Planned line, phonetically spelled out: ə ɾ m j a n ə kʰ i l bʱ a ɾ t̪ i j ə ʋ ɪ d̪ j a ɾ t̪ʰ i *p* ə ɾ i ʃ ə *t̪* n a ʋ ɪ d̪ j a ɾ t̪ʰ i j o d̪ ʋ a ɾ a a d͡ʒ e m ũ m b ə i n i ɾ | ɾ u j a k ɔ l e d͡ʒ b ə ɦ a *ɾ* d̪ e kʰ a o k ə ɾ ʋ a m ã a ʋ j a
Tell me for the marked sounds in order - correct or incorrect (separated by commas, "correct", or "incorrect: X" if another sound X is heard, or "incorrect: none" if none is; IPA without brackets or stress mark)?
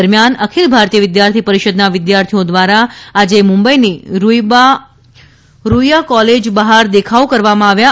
correct, incorrect: d̪, correct